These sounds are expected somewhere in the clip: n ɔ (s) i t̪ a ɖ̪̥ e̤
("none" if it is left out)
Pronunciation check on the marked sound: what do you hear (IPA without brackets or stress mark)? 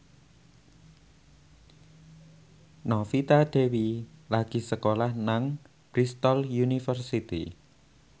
f